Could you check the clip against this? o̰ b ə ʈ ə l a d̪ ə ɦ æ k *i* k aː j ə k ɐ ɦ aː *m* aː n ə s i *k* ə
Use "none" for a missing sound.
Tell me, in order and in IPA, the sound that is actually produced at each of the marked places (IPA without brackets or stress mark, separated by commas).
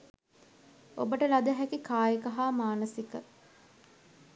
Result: i, m, k